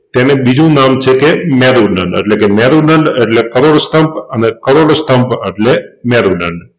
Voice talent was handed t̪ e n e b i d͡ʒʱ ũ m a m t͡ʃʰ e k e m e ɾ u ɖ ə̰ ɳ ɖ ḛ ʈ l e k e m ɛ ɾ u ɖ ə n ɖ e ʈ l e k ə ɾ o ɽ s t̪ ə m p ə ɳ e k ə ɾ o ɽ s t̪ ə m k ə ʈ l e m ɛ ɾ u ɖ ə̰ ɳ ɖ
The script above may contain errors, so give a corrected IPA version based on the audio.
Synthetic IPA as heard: t̪ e n e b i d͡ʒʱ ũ n a m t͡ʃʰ e k e m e ɾ u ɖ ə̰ ɳ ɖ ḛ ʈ l e k e m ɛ ɾ u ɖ ə ɳ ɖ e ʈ l e k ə ɾ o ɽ s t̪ ə m p ə n e k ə ɾ o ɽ s t̪ ə m p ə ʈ l e m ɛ ɾ u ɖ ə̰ ɳ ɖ